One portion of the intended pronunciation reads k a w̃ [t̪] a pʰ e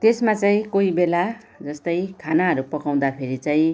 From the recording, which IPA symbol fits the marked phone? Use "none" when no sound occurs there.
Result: d̪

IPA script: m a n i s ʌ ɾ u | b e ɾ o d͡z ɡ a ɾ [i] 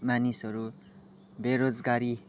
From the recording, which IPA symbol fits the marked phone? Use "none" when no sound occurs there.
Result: i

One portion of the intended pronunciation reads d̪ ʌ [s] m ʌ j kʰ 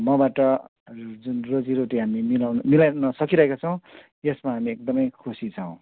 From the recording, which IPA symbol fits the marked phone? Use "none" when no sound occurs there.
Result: none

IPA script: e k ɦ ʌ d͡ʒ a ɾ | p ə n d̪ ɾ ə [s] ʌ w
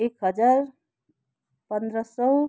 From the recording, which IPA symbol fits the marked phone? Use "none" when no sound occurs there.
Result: s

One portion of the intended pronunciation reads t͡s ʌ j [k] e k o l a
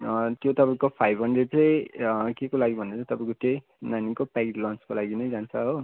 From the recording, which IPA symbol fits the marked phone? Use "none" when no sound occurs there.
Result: k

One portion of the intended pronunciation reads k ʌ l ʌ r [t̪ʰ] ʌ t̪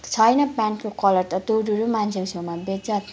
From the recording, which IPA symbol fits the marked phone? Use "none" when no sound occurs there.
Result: t̪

